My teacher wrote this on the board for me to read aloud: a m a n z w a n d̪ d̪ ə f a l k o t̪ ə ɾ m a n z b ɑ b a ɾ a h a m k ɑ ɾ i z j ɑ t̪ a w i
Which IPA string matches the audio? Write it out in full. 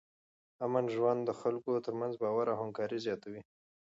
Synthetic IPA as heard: a m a n ʒ w a n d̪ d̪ ə x a l k o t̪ ə ɾ m a n z b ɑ w a ɾ a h a m k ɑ ɾ i z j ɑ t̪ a w i